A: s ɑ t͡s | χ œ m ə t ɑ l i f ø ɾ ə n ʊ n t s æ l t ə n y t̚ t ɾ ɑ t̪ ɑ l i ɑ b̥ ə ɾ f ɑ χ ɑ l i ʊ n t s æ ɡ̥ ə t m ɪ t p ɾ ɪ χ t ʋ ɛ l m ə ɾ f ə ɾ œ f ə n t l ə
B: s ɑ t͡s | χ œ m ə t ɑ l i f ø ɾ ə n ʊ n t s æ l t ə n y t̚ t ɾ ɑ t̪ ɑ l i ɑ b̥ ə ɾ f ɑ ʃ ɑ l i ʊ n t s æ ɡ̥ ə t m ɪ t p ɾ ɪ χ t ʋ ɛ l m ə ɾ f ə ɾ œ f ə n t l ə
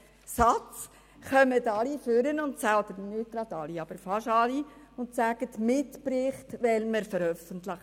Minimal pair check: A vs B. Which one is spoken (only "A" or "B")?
B